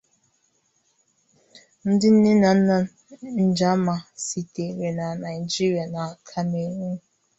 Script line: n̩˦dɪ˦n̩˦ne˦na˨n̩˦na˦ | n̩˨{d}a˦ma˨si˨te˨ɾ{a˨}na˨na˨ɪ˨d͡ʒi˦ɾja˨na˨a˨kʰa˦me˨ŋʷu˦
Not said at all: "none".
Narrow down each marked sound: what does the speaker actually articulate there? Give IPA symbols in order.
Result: d͡ʒ, e˨

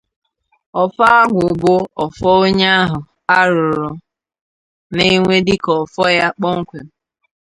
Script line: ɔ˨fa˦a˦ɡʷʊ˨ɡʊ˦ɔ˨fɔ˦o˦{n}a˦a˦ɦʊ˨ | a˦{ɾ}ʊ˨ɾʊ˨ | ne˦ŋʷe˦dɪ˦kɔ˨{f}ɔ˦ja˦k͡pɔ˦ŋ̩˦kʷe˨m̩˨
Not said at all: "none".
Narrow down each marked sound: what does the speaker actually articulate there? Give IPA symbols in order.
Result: ɲ, ɾ, f

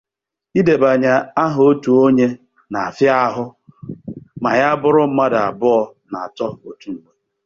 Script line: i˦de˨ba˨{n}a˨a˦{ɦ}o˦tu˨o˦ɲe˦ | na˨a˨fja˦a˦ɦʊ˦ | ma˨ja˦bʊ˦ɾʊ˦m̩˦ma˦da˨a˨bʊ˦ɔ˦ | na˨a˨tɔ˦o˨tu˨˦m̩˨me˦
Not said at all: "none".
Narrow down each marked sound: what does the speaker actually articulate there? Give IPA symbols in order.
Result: ɲ, ɦ

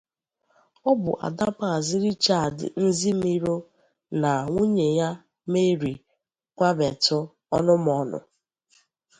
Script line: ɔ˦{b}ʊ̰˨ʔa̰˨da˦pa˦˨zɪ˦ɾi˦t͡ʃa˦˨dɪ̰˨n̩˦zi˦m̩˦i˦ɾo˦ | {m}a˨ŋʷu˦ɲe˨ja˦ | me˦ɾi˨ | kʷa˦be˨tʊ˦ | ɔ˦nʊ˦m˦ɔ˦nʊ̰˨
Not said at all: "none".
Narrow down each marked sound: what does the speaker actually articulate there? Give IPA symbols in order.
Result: b, n

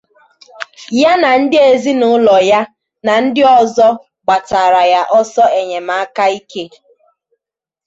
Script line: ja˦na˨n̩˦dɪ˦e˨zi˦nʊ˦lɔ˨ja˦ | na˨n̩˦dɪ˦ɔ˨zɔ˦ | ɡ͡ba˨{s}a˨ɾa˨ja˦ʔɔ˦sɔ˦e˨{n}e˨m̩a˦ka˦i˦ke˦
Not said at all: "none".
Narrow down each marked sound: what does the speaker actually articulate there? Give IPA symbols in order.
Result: t, ɲ

